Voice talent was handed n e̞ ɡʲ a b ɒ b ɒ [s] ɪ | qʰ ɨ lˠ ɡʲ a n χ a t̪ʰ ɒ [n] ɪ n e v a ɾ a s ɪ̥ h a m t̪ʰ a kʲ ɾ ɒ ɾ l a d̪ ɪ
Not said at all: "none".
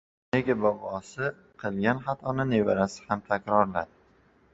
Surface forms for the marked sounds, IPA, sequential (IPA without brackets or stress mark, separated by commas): s, n